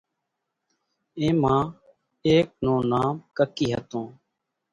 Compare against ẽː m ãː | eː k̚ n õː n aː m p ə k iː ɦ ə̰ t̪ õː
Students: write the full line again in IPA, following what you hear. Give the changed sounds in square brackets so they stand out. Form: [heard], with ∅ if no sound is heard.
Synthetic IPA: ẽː m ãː | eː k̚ n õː n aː m [k] ə k iː ɦ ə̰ t̪ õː